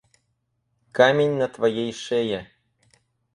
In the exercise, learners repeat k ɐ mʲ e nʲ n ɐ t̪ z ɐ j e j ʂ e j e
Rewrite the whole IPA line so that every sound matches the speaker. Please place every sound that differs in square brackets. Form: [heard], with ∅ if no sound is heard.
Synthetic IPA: k [a] mʲ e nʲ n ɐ t̪ [v] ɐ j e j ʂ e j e